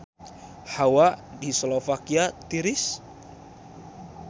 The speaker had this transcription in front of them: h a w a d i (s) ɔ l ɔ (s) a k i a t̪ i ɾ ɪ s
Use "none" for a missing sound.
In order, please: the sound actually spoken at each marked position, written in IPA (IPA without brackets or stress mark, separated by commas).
s, f